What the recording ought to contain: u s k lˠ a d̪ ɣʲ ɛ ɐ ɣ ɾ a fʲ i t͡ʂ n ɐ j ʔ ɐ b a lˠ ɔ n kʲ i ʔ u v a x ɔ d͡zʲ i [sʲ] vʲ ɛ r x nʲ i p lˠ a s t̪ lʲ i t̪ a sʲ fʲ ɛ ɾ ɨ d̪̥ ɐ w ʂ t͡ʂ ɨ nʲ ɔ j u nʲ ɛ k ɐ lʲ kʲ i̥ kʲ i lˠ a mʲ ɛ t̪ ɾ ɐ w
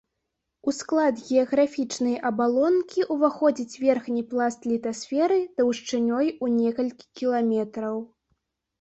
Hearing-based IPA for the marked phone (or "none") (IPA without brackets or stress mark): t͡sʲ